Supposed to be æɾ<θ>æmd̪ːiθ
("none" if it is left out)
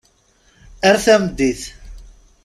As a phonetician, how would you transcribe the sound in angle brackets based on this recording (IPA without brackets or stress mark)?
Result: θ